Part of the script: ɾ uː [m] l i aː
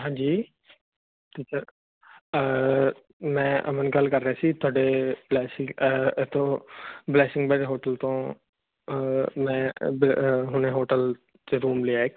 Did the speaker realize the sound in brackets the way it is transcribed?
yes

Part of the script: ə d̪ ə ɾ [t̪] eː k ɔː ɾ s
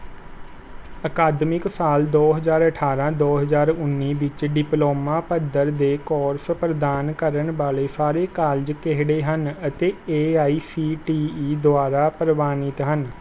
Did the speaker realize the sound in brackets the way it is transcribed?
no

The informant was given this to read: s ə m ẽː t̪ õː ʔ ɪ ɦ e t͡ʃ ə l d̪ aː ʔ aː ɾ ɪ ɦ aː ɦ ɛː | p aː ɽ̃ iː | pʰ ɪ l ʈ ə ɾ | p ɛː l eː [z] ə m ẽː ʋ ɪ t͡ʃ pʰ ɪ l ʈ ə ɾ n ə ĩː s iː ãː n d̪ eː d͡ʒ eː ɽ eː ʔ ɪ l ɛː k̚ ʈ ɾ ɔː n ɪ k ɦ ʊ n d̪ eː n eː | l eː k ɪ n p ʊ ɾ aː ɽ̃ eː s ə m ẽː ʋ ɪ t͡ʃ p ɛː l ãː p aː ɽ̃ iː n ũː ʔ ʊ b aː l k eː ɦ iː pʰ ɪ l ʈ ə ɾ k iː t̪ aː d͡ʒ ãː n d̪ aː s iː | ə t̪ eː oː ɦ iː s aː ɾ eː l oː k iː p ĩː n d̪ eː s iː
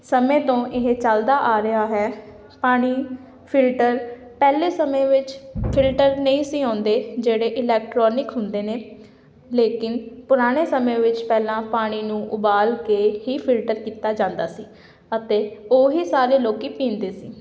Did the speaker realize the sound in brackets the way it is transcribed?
no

